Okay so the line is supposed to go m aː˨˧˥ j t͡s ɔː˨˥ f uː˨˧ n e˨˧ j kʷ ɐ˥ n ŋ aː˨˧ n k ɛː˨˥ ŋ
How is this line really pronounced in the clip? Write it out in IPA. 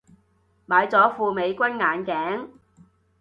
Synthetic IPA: m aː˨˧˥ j t͡s ɔː˨˥ f uː˨˧ m e˨˧ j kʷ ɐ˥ n ŋ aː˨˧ n k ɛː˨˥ ŋ